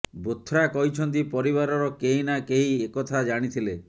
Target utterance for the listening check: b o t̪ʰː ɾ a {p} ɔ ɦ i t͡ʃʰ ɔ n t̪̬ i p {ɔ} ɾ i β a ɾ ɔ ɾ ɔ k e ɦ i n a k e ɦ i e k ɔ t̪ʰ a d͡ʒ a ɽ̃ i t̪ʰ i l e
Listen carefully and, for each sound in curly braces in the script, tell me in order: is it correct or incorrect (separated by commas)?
incorrect, correct